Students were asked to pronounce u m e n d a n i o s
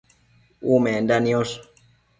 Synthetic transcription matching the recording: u m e n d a n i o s